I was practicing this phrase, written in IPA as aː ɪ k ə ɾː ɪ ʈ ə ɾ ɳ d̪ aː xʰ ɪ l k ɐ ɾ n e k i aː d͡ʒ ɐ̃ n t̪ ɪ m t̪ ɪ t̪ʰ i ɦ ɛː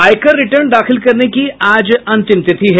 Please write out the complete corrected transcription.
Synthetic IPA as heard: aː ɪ k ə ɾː ɪ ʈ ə ɾ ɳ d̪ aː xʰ ɪ l k ɐ ɾ n e k i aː d͡ʒ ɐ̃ n t̪ ɪ m t̪ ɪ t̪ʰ i ɦ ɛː